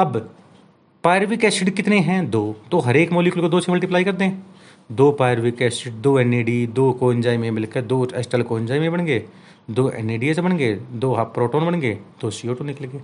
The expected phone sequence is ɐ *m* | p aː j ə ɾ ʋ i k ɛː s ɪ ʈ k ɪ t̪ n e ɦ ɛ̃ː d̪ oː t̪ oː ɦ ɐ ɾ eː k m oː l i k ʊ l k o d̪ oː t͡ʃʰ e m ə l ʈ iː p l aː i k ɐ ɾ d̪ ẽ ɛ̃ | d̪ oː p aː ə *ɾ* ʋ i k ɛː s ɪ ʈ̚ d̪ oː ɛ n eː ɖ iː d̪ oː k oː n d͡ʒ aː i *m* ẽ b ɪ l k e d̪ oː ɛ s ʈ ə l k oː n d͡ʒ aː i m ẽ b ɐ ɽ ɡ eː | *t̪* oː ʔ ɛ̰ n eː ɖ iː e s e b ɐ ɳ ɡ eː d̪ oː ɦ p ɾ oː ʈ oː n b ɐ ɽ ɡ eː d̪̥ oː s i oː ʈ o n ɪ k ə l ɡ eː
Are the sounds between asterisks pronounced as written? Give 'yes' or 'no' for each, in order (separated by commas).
no, yes, yes, no